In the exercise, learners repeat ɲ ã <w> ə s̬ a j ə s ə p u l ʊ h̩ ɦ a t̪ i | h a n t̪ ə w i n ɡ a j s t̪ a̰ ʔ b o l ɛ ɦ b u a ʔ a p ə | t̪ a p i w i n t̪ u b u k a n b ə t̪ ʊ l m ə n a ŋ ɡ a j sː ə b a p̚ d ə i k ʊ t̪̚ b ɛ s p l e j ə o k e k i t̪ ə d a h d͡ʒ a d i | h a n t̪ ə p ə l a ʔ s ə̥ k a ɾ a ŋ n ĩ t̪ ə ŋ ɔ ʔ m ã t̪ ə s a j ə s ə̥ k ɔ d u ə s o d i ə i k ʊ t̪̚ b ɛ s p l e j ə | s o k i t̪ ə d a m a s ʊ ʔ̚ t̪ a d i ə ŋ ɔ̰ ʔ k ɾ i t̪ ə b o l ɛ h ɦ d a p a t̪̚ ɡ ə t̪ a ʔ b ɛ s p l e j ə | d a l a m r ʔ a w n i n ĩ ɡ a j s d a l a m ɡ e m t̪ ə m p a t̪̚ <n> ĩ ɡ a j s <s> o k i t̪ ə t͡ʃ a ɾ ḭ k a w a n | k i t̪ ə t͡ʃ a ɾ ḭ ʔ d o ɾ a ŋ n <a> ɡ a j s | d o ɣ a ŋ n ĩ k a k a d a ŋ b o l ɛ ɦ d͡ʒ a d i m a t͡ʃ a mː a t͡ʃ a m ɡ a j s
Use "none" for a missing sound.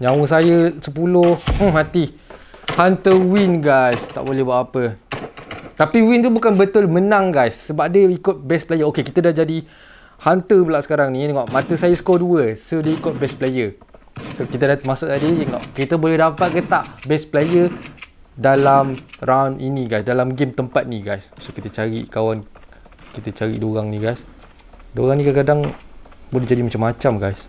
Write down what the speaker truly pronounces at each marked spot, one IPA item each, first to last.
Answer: w, n, s, i

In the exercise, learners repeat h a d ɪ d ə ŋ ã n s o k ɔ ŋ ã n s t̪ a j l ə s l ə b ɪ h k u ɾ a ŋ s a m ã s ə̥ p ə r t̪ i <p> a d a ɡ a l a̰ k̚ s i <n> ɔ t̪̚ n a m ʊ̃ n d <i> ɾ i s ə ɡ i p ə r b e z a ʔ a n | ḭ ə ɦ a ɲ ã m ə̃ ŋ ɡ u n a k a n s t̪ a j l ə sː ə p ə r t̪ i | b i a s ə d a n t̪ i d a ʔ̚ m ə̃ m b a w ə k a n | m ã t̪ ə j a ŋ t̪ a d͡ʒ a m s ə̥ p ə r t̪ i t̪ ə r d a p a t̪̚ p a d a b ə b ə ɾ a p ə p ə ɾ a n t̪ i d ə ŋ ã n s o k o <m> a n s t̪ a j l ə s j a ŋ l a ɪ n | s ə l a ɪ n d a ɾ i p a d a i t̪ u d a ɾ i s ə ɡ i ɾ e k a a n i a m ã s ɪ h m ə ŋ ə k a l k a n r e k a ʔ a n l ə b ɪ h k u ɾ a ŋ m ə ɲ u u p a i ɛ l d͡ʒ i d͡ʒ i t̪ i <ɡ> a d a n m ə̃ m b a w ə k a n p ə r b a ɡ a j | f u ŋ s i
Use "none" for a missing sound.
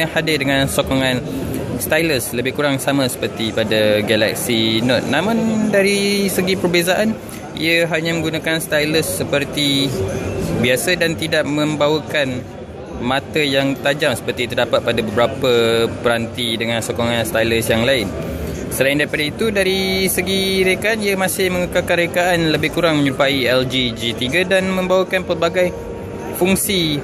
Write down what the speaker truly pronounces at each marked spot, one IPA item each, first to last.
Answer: p, n, a, ŋ, ɡ

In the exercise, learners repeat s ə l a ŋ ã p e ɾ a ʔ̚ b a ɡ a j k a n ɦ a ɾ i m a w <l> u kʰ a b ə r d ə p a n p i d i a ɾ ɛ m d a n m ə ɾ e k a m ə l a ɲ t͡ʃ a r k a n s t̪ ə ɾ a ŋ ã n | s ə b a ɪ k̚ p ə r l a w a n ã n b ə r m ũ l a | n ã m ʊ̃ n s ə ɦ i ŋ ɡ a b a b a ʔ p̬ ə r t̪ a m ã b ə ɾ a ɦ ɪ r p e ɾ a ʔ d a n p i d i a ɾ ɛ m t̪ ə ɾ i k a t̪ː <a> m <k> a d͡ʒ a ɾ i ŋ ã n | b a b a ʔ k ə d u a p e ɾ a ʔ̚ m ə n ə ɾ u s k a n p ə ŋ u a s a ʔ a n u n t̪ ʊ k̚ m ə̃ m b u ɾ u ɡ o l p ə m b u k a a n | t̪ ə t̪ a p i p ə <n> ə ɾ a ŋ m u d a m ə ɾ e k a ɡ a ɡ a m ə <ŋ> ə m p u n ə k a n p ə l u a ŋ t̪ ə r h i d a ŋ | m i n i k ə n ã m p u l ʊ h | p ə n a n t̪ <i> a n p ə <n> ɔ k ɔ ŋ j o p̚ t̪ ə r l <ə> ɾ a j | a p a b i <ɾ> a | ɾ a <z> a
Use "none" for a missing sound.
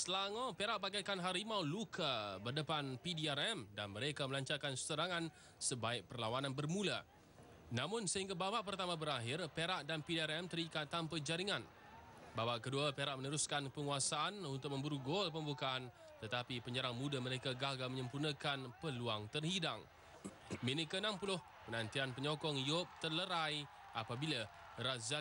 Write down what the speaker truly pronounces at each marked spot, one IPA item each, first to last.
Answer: l, a, p, ɲ, ɲ, i, ɲ, ə, l, z

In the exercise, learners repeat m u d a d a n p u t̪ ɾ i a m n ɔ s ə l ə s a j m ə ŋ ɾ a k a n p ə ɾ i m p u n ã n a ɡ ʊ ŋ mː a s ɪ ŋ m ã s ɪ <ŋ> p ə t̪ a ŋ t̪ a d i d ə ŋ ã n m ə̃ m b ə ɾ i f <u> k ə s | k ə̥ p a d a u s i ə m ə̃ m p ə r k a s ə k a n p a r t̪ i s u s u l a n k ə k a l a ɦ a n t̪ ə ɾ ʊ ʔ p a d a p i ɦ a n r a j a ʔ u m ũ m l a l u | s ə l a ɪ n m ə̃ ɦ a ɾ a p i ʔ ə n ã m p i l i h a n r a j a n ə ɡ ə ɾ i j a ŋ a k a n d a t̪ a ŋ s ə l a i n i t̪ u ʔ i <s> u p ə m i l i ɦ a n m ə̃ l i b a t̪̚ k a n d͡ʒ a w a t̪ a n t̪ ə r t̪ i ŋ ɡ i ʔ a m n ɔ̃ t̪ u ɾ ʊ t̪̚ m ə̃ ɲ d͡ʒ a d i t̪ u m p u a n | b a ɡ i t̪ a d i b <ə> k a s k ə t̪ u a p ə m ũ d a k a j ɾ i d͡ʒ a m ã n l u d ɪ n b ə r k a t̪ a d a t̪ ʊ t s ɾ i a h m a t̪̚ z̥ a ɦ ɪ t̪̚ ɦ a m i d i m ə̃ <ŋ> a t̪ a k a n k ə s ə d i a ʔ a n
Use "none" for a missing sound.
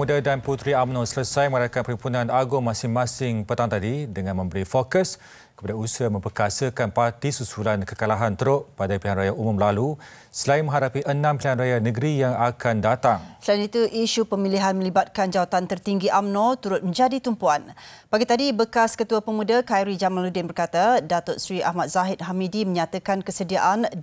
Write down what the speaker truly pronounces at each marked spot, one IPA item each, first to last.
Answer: ŋ, o, ʃ, ə, ɲ

